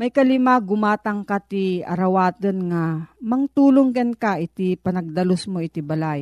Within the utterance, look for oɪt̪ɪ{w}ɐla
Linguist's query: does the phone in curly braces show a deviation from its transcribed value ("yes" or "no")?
yes